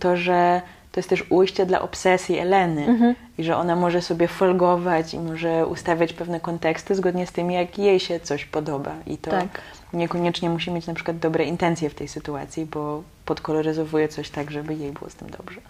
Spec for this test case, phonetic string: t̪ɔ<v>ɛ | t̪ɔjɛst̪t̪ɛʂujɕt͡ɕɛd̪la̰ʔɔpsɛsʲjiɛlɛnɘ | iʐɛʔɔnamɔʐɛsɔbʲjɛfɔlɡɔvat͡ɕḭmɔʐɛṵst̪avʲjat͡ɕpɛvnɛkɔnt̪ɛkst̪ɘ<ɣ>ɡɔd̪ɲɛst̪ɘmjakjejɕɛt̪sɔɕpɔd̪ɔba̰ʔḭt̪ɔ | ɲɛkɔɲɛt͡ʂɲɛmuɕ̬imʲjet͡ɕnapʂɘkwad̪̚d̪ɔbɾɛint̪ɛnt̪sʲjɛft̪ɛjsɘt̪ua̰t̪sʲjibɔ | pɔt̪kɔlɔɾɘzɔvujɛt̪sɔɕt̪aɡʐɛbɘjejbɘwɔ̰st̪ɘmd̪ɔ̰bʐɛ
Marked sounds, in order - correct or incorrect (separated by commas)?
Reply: incorrect, incorrect